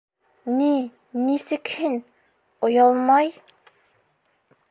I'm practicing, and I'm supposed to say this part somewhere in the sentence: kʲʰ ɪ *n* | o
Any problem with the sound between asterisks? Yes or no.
no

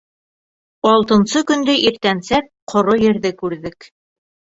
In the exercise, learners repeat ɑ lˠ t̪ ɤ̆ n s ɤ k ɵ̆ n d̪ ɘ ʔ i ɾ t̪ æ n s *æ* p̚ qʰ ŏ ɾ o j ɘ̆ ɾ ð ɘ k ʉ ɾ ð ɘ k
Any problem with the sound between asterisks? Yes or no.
no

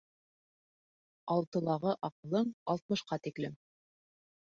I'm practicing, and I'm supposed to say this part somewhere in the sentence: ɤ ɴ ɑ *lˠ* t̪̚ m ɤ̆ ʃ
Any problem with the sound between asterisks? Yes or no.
no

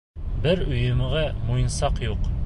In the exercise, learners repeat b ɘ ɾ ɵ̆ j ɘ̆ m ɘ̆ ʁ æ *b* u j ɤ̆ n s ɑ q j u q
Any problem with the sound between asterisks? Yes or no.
yes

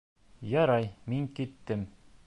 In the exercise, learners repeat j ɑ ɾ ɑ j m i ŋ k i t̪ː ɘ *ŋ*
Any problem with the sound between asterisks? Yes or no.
yes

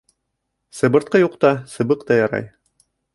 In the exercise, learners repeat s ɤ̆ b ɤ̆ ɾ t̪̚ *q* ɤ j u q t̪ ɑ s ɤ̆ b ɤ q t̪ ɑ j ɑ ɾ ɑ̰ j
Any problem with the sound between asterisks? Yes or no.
no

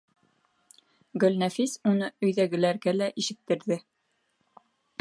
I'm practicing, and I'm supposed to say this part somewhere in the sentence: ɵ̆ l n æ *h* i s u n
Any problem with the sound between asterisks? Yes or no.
yes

